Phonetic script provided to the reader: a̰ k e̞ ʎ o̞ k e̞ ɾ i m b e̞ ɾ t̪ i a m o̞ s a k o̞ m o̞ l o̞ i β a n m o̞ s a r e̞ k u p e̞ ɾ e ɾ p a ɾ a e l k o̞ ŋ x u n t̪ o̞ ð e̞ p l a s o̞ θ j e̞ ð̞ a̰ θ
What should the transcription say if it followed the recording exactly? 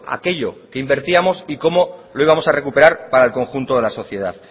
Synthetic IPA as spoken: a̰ k e̞ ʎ o̞ k e̞ i m b e̞ ɾ t̪ i a m o̞ s i k o̞ m o̞ l o̞ i β a m o̞ s a r e̞ k u p e̞ ɾ a ɾ p a ɾ a e l k o̞ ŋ x u n t̪ o̞ ð e̞ l a s o̞ θ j e̞ ð̞ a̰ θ